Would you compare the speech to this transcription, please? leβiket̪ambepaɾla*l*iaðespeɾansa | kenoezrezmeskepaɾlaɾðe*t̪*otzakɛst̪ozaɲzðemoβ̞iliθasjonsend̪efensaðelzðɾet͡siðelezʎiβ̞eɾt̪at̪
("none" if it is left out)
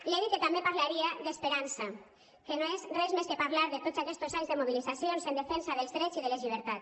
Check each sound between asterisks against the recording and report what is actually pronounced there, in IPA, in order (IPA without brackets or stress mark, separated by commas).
ɾ, t̪